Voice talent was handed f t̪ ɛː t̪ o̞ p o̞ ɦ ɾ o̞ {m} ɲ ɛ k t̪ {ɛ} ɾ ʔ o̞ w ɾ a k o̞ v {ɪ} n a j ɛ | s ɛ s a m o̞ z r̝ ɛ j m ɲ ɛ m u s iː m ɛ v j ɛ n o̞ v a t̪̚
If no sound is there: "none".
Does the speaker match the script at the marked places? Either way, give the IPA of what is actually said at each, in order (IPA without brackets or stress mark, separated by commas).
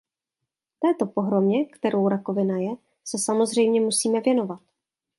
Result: m, ɛ, ɪ